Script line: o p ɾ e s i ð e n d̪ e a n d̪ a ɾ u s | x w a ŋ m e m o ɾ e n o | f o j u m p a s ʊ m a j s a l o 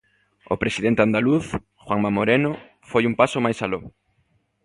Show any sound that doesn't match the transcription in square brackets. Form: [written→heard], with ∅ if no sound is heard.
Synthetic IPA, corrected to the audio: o p ɾ e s i ð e n [d̪→t̪] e a n d̪ a [ɾ→l] u [s→θ] | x w a ŋ m [e→a] m o ɾ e n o | f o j u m p a s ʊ m a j s a l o